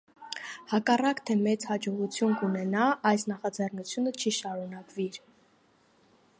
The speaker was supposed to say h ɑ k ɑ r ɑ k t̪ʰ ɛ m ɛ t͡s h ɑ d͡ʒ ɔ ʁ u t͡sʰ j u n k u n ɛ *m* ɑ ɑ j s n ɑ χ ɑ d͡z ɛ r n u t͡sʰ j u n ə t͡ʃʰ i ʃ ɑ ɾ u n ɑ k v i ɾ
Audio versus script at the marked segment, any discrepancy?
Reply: yes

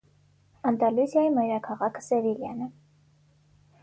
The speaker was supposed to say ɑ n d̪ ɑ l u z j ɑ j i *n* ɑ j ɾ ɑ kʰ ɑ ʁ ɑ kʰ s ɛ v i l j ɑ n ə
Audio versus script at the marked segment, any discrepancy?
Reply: yes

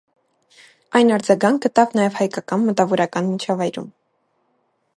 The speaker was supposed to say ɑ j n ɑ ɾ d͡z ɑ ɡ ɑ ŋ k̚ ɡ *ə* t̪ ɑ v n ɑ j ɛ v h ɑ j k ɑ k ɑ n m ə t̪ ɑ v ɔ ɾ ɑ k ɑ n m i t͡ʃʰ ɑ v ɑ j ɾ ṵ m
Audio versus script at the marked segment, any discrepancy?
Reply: no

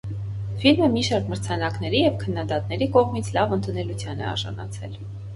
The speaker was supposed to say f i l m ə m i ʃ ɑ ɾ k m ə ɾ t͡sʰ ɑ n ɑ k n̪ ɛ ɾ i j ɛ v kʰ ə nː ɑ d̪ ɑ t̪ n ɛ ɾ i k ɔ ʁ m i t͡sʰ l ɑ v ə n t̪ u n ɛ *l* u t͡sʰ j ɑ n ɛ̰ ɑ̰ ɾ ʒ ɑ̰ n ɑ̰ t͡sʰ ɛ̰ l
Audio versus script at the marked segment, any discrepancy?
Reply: no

